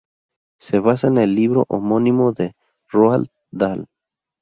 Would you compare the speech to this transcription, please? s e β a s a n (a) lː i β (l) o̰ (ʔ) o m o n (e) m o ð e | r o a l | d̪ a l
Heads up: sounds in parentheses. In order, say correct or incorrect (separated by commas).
incorrect, incorrect, correct, incorrect